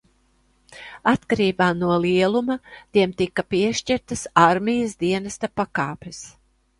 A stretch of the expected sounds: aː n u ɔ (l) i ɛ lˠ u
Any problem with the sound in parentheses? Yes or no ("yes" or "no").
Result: no